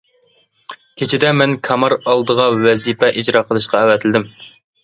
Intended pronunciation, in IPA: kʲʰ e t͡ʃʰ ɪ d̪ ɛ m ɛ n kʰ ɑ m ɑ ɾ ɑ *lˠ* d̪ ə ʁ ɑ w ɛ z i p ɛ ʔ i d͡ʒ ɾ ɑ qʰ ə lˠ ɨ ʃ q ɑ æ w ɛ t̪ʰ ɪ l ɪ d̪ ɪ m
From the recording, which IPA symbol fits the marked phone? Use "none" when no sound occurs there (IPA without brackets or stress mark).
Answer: lˠ